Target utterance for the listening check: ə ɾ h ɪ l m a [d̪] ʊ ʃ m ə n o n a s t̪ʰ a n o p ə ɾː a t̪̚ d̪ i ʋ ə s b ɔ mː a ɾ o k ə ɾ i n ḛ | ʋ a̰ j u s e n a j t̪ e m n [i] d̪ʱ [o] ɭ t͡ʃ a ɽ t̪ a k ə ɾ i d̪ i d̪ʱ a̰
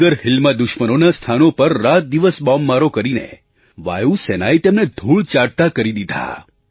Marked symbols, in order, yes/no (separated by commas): yes, no, no